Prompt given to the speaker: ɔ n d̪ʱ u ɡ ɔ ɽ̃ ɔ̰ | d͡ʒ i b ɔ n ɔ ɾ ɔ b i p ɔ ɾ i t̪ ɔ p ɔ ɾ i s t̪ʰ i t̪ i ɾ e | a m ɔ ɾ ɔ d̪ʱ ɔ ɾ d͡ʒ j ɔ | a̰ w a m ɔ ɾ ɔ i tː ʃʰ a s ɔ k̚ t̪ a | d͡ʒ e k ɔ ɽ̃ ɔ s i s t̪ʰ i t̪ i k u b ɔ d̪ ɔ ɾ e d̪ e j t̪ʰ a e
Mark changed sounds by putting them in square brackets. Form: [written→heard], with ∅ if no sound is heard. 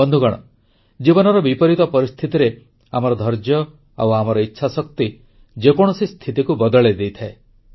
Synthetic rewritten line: ɔ n d̪ʱ u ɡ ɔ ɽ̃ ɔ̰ | d͡ʒ i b ɔ n ɔ ɾ ɔ b i p ɔ ɾ i t̪ ɔ p ɔ ɾ i s t̪ʰ i t̪ i ɾ e | a m ɔ ɾ ɔ d̪ʱ ɔ ɾ d͡ʒ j ɔ | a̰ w a m ɔ ɾ ɔ i tː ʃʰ a s ɔ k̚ t̪ [a→i] | d͡ʒ e k ɔ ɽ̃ ɔ s i s t̪ʰ i t̪ i k u b ɔ d̪ ɔ [ɾ→ɭ] e d̪ e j t̪ʰ a e